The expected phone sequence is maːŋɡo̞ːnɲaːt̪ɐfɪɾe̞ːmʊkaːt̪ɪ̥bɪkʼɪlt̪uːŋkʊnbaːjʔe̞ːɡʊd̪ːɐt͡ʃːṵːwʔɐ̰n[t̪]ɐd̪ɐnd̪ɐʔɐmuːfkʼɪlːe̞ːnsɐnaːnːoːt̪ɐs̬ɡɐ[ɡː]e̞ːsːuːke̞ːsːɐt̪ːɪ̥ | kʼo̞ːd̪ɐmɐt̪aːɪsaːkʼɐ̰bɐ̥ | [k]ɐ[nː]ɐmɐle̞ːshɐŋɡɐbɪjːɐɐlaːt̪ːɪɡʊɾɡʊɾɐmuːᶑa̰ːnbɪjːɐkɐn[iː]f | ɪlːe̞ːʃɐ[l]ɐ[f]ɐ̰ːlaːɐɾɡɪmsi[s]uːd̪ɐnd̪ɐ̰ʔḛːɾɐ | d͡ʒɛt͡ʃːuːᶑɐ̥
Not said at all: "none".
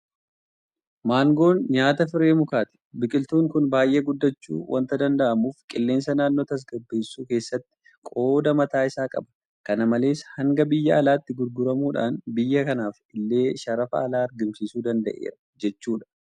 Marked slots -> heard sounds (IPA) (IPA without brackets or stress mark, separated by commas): t̪, bː, k, n, aː, ɾ, f, s